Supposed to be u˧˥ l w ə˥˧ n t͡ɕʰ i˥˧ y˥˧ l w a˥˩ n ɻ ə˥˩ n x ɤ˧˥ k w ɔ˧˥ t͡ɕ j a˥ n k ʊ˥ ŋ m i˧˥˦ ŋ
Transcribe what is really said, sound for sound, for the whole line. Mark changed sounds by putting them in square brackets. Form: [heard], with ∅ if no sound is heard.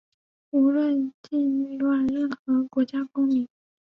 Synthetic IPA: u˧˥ l w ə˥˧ n [t͡ɕ] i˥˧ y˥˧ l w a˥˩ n ɻ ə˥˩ n x ɤ˧˥ k w ɔ˧˥ t͡ɕ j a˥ [∅] k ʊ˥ ŋ m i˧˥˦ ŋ